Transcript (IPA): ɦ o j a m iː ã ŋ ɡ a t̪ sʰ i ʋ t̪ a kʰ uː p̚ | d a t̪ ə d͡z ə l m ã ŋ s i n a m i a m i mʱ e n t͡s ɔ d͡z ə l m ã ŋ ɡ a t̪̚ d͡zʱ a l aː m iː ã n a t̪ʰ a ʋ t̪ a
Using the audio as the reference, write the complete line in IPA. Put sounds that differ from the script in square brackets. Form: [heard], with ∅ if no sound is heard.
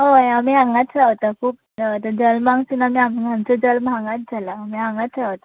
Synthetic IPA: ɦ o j a m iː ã ŋ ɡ a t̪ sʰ [a] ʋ t̪ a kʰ uː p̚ | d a t̪ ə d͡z ə l m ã ŋ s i n a m i a m i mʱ [a] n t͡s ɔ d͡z ə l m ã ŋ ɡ a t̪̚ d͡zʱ a l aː m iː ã [ŋ] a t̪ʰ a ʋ t̪ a